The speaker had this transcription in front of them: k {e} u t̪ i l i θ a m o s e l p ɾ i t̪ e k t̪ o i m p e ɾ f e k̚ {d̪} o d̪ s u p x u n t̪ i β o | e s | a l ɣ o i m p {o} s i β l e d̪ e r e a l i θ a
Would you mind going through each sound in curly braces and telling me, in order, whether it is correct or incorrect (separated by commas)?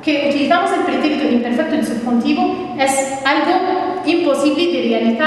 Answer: correct, incorrect, correct